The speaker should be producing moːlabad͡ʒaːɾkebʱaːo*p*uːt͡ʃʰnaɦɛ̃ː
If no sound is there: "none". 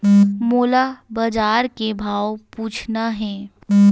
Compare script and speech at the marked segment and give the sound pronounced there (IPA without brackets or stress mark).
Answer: p